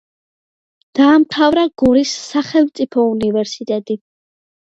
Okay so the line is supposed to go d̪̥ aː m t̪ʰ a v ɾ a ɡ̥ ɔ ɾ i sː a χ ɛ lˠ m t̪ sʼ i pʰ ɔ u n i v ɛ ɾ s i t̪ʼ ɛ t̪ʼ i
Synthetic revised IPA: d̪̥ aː m t̪ʰ a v ɾ a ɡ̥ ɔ ɾ i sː a χ ɛ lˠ m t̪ sʼ i pʰ ɔ u n i v ɛ ɾ s i t̪ʼ ɛ t̪ʼ i